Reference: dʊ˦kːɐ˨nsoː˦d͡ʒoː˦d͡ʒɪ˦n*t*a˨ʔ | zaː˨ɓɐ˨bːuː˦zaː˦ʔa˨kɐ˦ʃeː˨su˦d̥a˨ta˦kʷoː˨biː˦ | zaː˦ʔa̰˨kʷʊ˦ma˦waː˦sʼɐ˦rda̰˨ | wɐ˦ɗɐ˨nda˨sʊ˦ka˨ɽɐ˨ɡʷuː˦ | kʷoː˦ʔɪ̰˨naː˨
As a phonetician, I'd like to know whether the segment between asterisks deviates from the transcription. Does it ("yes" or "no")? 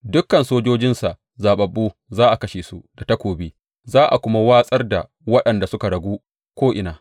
yes